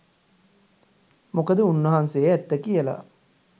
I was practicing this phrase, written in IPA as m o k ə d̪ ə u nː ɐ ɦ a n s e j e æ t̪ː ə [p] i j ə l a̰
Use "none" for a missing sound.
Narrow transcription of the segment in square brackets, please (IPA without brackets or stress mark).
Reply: k